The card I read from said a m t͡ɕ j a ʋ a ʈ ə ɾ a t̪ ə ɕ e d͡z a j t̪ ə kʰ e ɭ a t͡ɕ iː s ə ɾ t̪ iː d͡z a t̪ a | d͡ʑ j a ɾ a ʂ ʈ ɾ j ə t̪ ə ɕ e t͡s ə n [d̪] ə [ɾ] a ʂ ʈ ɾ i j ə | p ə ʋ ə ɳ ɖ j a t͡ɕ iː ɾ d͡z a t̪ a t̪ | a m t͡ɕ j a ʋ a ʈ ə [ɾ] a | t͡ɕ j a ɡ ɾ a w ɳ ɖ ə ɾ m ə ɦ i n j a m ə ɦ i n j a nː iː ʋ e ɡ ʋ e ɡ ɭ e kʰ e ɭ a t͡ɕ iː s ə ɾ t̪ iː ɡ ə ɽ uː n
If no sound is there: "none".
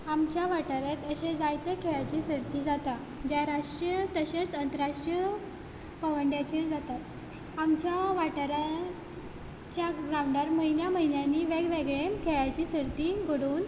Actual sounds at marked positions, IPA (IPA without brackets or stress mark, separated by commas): t̪, ɾ, ɾ